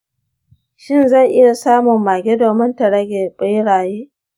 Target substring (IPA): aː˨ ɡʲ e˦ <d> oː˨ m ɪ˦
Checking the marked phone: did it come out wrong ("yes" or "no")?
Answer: no